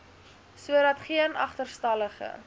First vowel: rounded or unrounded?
rounded